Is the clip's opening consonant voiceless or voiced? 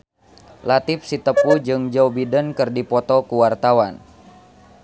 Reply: voiced